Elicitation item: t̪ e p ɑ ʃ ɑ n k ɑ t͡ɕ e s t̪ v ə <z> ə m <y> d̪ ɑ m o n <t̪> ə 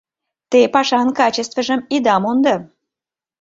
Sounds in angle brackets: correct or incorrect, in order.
incorrect, incorrect, incorrect

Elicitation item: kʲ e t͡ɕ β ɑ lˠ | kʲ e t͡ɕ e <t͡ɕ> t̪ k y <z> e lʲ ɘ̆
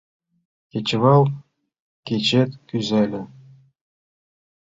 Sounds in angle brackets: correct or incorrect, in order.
incorrect, correct

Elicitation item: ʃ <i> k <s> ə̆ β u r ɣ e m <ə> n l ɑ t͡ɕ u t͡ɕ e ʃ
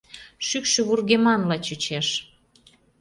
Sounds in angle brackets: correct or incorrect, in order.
incorrect, incorrect, incorrect

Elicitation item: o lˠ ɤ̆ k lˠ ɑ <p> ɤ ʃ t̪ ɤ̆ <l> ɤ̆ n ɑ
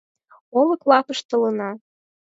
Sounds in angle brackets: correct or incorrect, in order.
correct, correct

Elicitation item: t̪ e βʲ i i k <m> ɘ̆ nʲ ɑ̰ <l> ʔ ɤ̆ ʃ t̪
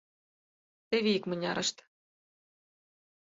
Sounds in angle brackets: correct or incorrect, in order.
correct, incorrect

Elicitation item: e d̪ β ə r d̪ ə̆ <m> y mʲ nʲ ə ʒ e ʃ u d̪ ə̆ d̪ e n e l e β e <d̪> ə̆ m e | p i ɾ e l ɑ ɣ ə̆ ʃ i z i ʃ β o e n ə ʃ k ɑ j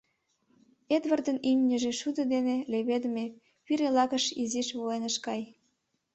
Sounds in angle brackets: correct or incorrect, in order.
incorrect, correct

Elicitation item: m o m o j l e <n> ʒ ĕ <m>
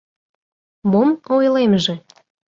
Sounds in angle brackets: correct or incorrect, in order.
incorrect, incorrect

